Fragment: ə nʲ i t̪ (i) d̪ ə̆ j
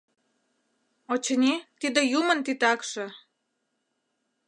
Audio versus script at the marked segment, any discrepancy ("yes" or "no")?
no